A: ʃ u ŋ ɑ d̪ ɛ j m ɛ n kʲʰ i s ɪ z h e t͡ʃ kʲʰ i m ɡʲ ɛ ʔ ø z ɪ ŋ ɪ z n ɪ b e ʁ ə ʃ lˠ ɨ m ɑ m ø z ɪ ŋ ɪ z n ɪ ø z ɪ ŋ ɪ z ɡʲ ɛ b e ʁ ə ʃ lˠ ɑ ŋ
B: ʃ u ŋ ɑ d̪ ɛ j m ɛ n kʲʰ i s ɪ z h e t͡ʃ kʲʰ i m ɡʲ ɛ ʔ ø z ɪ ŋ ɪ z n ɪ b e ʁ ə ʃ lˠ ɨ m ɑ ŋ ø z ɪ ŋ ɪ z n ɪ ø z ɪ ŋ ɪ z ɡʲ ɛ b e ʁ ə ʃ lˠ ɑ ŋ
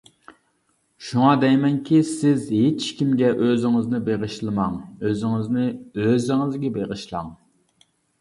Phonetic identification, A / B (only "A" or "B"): B